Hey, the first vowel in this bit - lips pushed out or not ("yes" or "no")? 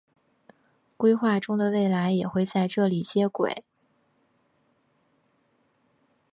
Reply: no